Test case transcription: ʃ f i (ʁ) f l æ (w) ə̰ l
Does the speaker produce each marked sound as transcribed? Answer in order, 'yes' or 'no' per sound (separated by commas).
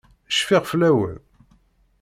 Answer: yes, yes